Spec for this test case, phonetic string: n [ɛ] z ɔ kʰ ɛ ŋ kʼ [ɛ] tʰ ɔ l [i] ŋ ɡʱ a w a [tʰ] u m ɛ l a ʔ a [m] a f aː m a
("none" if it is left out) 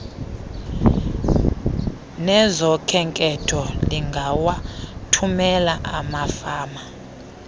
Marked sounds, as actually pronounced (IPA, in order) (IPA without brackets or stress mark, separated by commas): ɛ, ɛ, i, tʰ, m